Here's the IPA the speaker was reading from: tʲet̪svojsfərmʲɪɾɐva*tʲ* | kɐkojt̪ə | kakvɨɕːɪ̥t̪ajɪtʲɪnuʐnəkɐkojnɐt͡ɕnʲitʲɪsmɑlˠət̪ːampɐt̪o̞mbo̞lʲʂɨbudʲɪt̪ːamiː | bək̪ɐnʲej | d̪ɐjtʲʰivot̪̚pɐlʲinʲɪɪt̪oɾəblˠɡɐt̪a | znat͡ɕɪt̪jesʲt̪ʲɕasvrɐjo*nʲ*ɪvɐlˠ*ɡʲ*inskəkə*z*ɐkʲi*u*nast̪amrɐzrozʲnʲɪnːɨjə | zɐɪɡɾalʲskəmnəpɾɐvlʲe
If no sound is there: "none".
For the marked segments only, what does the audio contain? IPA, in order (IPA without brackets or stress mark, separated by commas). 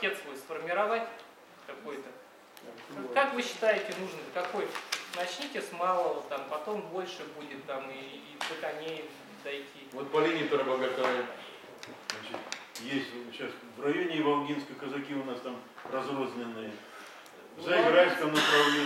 tʲ, nʲ, ɡʲ, z, ʊ